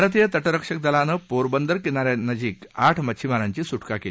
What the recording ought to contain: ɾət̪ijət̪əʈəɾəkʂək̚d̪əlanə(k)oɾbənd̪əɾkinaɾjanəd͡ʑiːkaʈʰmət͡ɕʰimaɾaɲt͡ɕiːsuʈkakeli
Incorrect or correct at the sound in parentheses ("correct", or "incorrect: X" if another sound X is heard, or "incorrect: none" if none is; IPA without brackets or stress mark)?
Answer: incorrect: p